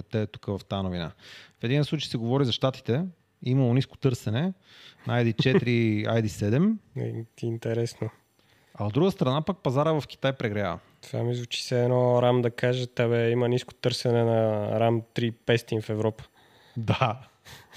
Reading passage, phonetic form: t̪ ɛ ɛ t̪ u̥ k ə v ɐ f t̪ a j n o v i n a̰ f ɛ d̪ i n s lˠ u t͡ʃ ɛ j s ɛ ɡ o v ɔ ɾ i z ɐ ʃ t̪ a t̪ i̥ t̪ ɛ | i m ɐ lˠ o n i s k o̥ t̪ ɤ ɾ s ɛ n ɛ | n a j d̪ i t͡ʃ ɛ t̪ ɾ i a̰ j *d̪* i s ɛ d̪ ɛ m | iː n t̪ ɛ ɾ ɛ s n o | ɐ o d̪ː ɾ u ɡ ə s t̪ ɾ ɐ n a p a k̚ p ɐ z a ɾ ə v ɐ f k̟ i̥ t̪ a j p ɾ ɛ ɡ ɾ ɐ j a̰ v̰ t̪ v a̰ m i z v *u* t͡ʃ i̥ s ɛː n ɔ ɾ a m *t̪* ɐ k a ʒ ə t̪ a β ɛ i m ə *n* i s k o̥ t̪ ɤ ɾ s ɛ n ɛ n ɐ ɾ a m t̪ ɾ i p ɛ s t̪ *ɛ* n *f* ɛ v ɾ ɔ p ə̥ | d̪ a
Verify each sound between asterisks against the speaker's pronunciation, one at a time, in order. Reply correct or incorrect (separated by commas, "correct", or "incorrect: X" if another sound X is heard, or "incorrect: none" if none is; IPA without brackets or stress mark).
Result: correct, correct, incorrect: d̪, correct, incorrect: i, correct